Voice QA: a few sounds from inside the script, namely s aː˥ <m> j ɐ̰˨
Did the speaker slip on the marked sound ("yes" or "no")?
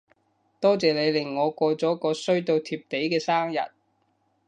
yes